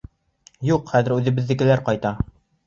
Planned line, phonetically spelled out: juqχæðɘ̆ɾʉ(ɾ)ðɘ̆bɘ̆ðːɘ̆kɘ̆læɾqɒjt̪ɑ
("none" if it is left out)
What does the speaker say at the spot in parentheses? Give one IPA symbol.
none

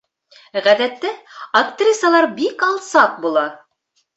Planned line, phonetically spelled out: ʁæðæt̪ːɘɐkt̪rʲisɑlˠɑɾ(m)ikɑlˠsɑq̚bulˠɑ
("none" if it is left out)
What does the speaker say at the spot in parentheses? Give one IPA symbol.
b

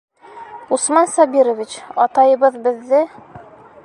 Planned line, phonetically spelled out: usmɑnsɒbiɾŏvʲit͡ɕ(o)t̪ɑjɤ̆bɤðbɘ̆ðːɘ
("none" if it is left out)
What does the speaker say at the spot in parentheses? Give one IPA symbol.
ɒ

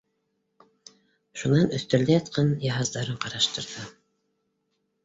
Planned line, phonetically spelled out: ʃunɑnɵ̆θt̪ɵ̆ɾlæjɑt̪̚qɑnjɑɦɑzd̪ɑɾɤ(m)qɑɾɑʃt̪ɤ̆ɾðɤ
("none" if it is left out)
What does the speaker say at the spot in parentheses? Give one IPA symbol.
ɴ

